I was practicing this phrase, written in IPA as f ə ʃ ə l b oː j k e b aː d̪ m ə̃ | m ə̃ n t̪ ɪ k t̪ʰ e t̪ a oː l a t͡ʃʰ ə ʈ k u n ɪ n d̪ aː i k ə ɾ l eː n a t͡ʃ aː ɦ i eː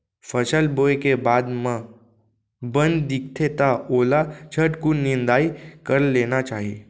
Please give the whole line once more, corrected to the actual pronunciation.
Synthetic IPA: f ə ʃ ə l b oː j k e b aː d̪ m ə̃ | b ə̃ n d̪ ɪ k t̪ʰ e t̪ a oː l a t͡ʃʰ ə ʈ k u n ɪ n d̪ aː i k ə ɾ l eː n a t͡ʃ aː ɦ i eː